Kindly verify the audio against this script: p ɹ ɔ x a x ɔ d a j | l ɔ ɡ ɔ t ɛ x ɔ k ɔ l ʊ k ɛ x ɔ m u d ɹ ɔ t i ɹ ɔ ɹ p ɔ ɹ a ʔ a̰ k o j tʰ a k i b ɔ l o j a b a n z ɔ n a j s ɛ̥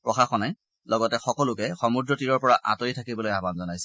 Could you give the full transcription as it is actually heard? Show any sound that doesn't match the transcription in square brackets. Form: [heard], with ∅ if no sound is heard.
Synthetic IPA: p ɹ ɔ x a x ɔ [n] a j | l ɔ ɡ ɔ t ɛ x ɔ k ɔ l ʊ k ɛ x ɔ m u d ɹ ɔ t i ɹ ɔ ɹ p ɔ ɹ a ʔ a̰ [t] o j tʰ a k i b ɔ l o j a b a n z ɔ n a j s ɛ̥